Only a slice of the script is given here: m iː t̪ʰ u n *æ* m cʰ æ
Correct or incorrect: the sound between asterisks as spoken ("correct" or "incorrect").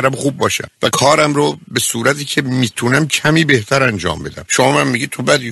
correct